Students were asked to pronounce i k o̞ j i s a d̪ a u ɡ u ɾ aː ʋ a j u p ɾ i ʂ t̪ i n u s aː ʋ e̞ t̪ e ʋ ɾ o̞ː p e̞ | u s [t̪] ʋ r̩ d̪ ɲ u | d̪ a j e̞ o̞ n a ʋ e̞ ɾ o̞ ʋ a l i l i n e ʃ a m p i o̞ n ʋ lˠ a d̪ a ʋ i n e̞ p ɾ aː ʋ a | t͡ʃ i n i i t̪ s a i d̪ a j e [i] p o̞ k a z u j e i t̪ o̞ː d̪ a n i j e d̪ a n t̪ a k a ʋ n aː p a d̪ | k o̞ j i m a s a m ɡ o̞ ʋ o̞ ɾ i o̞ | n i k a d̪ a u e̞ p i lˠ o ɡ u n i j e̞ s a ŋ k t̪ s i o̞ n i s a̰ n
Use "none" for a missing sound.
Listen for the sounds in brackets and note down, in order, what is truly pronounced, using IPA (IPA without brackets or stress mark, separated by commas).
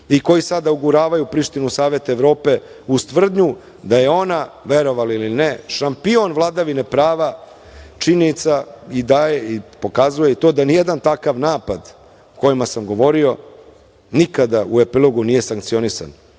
t̪, i